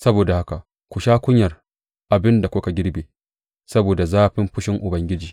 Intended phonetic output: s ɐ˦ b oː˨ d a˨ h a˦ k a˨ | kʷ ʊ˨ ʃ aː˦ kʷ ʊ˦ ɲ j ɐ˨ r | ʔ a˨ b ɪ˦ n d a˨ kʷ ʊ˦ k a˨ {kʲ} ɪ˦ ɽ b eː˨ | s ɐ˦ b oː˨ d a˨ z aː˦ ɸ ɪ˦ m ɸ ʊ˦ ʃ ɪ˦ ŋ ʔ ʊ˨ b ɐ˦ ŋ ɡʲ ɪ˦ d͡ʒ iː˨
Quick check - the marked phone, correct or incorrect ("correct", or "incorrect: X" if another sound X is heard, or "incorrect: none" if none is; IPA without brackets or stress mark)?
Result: incorrect: ɡʲ